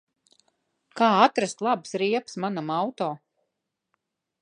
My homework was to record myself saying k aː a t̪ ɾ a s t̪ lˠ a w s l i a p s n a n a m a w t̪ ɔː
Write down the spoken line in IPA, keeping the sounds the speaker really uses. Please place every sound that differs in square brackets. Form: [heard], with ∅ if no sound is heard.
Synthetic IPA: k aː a t̪ ɾ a s t̪ lˠ a [b] s [ɾ] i [ɛ] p s [m] a n a m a w t̪ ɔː